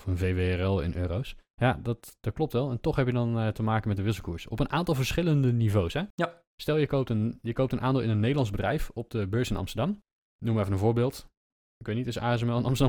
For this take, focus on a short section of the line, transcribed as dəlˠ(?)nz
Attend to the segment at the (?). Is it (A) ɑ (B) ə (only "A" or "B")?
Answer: A